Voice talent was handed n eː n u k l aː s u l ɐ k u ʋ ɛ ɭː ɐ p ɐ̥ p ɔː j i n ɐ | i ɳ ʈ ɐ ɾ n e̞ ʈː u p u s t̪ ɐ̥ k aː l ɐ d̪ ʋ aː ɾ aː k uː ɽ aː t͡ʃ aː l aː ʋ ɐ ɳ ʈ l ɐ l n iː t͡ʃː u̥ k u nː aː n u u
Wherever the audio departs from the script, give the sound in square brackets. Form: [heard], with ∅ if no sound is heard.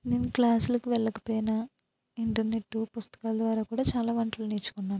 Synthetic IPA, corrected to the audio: n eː n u k l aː s u l ɐ k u ʋ ɛ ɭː ɐ [k] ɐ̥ p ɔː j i n ɐ | i ɳ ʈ ɐ ɾ n e̞ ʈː u p u s t̪ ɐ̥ k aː l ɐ d̪ ʋ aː ɾ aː k uː ɽ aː t͡ʃ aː l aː ʋ ɐ ɳ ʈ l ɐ l n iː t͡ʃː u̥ k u nː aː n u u